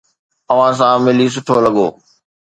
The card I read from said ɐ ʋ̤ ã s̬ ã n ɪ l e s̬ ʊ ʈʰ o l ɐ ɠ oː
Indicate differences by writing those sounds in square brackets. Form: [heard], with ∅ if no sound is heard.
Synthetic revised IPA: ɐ ʋ̤ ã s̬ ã [m] ɪ l [i] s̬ ʊ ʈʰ o l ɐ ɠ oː